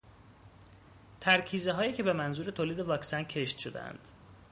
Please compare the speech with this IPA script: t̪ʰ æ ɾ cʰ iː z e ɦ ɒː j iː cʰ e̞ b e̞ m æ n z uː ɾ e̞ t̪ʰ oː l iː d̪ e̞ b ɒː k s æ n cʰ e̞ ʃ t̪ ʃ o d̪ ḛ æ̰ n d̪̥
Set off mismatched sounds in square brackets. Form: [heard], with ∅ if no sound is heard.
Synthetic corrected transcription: t̪ʰ æ ɾ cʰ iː z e ɦ ɒː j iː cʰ e̞ b e̞ m æ n z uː ɾ e̞ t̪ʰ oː l iː d̪ e̞ [v] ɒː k s æ n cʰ e̞ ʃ t̪ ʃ o d̪ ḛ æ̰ n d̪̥

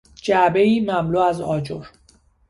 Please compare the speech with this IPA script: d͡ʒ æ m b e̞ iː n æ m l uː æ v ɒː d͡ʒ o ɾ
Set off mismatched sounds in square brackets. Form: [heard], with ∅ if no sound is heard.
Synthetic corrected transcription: d͡ʒ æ [∅] b e̞ iː [m] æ m l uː æ [z] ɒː d͡ʒ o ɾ

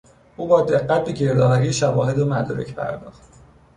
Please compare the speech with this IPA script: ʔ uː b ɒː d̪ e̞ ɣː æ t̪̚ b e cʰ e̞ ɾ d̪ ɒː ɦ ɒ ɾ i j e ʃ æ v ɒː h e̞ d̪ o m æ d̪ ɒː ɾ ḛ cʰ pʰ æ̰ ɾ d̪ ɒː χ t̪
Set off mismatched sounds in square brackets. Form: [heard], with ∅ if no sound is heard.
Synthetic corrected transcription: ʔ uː b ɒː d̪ e̞ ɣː æ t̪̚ b e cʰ e̞ ɾ d̪ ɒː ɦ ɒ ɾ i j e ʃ æ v ɒː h e̞ d̪ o m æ d̪ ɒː ɾ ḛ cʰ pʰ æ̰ ɾ d̪ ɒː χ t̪

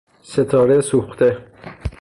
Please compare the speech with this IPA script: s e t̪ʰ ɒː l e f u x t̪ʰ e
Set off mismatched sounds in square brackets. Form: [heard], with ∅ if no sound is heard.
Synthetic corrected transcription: s e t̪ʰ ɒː [ɾ] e [s] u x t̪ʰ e

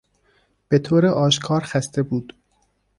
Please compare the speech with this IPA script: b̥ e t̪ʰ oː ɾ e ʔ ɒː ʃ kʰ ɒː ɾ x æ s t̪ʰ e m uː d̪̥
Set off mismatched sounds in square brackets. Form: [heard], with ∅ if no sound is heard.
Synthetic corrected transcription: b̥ e t̪ʰ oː ɾ e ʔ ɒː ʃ kʰ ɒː ɾ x æ s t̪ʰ e [b] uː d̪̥

